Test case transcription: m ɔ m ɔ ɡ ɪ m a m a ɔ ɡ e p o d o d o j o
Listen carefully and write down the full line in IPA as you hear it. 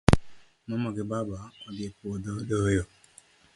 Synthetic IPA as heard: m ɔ m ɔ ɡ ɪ b a b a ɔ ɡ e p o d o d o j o